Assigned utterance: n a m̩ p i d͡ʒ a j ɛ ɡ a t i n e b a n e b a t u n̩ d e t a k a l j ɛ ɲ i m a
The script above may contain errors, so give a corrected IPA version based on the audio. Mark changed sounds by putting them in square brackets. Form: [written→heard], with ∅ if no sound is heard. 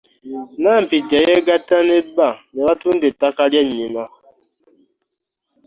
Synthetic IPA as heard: n a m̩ p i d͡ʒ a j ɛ ɡ a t [i→a] n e b a n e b a t u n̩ d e t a k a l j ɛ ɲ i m a